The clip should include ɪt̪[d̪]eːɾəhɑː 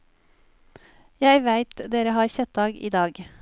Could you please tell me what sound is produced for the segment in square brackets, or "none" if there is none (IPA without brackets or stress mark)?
d̪